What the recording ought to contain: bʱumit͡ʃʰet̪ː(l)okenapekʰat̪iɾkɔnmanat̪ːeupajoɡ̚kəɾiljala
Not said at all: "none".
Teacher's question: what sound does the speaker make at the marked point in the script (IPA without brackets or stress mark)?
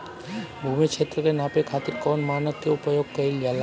ɾ